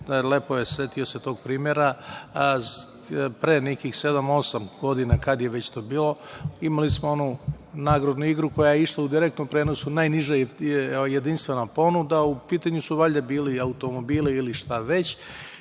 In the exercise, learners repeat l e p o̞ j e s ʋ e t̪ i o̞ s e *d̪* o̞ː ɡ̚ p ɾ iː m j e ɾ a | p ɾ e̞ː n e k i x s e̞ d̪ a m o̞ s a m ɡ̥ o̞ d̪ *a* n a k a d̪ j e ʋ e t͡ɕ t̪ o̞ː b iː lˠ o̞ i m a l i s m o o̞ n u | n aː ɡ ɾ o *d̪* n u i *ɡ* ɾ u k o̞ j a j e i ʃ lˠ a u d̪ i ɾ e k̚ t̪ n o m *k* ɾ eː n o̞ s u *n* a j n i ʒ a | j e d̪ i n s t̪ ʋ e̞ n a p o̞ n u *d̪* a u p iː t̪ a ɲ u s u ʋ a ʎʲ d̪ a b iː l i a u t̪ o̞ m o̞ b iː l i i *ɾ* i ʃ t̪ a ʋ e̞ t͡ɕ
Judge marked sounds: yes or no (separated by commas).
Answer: no, no, yes, yes, no, yes, yes, no